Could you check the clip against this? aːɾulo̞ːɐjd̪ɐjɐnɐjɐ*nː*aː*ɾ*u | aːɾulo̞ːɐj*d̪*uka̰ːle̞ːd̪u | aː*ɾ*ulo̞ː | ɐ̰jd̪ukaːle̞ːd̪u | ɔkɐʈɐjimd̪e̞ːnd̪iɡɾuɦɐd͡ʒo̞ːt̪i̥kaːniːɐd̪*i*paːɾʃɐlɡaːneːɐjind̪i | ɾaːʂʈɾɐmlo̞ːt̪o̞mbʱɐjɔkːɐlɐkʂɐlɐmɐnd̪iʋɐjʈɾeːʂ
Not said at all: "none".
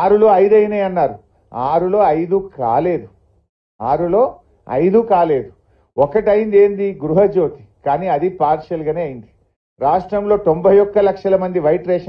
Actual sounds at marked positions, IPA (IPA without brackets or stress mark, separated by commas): nː, ɾ, d̪, ɾ, i